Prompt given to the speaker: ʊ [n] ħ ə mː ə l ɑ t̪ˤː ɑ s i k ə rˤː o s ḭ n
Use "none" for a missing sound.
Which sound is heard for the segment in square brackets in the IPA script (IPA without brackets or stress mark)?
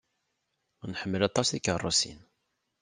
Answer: n